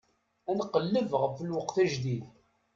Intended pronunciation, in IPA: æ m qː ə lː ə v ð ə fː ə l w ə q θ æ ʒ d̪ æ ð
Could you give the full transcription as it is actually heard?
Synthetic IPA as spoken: æ n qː ə lː ə v ʁ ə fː ə l w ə q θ æ ʒ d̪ i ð

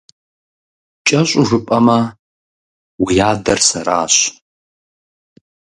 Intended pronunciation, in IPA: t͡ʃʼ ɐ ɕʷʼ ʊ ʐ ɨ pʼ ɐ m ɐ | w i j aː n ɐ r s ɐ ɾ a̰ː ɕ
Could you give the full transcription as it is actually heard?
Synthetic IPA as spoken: t͡ʃʼ ɐ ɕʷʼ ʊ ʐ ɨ pʼ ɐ m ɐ | w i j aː d ɐ r s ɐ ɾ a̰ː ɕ

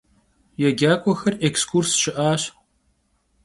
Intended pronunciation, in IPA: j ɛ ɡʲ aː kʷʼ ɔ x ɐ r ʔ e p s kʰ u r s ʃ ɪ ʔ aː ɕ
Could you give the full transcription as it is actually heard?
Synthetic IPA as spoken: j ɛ ɡʲ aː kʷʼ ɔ x ɐ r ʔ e k s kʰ u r s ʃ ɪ ʔ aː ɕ

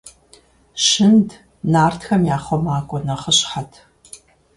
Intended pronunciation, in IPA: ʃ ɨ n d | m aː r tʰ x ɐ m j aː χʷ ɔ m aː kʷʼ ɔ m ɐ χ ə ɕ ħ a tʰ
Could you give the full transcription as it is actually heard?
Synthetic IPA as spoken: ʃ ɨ n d | n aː r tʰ x ɐ m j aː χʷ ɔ m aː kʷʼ ɔ n ɐ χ ə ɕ ħ a tʰ

